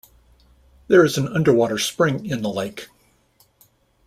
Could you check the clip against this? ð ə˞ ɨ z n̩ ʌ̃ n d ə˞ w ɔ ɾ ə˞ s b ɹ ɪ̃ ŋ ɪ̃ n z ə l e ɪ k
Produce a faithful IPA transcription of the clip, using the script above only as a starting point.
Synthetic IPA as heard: ð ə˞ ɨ z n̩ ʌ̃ n d ə˞ w ɔ ɾ ə˞ s p ɹ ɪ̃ ŋ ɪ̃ n ð ə l e ɪ k